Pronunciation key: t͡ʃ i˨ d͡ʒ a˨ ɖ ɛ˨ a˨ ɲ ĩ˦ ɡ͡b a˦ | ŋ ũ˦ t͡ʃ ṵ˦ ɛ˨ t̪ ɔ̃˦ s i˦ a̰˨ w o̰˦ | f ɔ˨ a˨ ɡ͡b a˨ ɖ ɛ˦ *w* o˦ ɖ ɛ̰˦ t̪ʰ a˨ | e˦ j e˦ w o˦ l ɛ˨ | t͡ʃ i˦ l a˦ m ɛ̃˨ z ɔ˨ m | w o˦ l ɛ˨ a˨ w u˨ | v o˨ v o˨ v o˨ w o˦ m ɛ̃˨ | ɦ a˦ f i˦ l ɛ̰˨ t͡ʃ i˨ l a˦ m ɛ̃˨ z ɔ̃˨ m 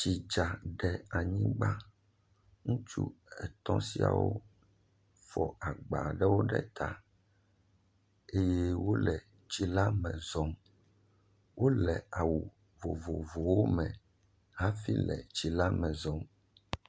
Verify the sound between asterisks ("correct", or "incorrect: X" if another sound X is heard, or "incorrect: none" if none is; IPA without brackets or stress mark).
correct